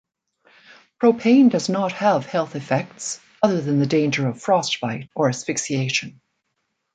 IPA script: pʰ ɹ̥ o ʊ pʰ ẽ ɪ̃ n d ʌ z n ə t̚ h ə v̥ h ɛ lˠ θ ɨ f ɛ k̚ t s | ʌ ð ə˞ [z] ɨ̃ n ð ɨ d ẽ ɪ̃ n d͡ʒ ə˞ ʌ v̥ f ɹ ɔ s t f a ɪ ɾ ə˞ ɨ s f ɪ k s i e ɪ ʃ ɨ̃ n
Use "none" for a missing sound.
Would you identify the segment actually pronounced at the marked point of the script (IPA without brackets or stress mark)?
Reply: ð